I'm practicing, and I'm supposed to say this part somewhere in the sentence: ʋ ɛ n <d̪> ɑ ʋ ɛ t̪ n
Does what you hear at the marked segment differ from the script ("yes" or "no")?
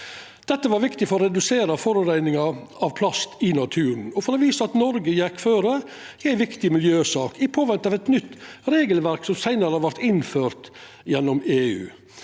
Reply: yes